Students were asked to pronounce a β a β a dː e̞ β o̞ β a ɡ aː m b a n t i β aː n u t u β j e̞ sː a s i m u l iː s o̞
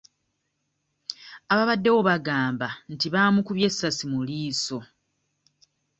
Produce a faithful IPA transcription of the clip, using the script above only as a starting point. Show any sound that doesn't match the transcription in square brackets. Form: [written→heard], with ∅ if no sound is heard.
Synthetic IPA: a β a β a dː e̞ [β→w] o̞ β a ɡ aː m b a n t i β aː [n→m] u [t→k] u β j e̞ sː a s i m u l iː s o̞